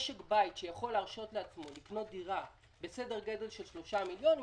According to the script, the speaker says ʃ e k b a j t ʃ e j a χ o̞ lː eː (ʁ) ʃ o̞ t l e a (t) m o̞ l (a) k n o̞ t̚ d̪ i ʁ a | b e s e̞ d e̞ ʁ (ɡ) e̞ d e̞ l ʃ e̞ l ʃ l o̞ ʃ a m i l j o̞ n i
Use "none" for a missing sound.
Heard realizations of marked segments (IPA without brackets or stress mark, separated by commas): ʁ, t͡s, i, ɡ